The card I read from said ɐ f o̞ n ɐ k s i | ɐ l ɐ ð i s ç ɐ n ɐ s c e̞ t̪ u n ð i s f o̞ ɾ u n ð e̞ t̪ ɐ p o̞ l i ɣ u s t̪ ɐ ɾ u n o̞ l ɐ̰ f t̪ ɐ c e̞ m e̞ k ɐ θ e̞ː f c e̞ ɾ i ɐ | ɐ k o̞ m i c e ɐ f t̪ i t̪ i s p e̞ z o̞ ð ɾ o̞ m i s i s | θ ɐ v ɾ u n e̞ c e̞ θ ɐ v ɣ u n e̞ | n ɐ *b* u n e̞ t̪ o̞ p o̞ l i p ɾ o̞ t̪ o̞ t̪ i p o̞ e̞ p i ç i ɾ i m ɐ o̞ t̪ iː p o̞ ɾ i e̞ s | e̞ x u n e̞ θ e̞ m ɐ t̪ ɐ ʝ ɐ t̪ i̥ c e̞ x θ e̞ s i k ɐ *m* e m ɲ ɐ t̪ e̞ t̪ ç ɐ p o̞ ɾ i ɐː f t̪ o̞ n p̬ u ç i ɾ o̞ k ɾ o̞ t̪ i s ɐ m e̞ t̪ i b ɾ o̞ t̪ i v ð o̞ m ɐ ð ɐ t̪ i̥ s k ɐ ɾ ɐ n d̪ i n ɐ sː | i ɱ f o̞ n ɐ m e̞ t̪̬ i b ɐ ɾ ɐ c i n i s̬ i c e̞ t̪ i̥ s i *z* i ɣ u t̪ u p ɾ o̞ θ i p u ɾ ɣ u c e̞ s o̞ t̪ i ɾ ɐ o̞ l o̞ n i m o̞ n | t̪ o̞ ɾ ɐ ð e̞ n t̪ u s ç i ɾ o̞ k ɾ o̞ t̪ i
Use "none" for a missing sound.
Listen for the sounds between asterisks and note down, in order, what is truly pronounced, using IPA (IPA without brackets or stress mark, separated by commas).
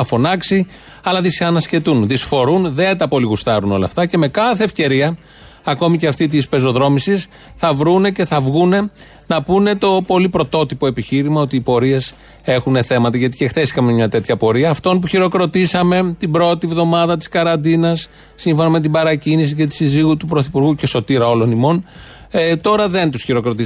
p, m, z